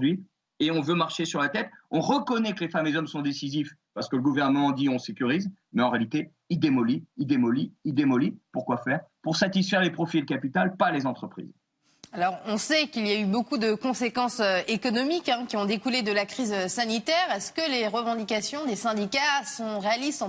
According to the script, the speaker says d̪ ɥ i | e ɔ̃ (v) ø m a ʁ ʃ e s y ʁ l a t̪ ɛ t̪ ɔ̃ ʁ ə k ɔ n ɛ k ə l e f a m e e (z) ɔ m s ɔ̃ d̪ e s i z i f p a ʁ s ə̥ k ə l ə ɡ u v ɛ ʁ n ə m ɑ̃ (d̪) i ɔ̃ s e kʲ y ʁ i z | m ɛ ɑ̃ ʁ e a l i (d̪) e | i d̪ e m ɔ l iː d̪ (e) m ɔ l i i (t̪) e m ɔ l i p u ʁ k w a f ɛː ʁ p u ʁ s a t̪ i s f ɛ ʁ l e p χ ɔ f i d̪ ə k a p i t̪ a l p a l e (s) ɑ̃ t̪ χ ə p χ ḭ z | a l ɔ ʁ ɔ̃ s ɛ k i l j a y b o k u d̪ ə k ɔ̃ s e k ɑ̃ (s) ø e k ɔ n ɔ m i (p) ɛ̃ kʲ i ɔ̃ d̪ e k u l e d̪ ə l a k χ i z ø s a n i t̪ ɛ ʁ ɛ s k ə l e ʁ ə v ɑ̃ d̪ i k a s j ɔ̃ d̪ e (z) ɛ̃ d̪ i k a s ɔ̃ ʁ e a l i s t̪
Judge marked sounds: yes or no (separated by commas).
yes, yes, yes, no, yes, no, no, yes, no, no